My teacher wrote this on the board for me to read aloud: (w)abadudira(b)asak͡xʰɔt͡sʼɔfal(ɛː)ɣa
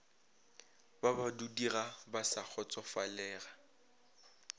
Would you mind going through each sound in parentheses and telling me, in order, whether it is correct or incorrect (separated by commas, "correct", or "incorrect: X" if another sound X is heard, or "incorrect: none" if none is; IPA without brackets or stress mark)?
incorrect: b, correct, correct